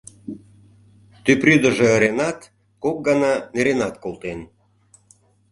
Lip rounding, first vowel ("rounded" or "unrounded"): rounded